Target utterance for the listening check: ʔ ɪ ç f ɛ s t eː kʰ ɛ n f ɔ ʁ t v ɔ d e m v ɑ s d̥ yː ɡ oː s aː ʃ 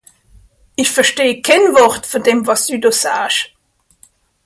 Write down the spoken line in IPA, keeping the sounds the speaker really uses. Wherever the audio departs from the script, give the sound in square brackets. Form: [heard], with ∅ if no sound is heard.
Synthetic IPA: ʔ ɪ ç f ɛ [ʃ] t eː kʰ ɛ n [v] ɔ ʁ t [f] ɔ d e m v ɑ s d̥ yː [d] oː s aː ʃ